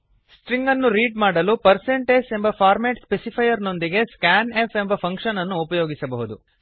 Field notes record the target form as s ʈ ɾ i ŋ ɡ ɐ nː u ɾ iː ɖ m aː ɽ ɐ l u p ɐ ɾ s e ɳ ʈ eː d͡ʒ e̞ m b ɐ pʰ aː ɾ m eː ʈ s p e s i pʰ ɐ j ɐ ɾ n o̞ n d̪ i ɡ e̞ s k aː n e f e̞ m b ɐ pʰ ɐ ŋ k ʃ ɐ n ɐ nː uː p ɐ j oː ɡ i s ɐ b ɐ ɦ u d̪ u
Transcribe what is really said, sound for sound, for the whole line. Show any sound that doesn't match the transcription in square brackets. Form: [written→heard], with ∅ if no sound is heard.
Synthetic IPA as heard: s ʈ ɾ i ŋ ɡ ɐ nː u ɾ iː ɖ m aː ɽ ɐ l u p ɐ ɾ s e ɳ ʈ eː d͡ʒ e̞ m b ɐ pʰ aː ɾ m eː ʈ s p e s i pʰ ɐ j ɐ ɾ n o̞ n d̪ i ɡ e̞ s k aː n e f e̞ m b ɐ pʰ ɐ ŋ k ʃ ɐ n ɐ nː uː p ɐ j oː ɡ i s ɐ b ɐ ɦ u d̪ u